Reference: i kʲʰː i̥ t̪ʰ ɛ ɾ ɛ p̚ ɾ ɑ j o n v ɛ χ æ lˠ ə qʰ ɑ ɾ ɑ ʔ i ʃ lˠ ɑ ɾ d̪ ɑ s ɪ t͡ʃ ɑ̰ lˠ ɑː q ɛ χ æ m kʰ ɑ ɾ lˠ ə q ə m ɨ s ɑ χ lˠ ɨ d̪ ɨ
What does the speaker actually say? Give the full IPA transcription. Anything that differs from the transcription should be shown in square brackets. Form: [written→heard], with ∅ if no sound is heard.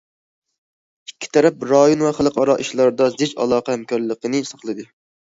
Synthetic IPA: i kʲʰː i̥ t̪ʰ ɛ ɾ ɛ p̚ ɾ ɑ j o n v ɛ χ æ lˠ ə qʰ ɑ ɾ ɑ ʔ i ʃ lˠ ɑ ɾ d̪ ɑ [s→z] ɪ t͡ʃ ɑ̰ lˠ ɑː q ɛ [χ→h] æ m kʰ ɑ ɾ lˠ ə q ə [m→n] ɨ s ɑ χ lˠ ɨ d̪ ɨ